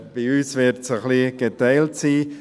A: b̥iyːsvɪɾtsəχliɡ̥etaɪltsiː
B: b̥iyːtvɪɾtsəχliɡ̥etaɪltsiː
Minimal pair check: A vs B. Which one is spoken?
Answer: A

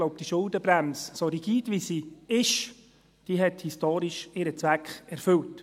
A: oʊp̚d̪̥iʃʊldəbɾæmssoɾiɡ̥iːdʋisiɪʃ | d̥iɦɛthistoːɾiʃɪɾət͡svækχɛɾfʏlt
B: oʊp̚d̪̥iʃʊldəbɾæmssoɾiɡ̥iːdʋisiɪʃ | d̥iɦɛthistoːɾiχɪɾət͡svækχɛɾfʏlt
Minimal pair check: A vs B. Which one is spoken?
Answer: A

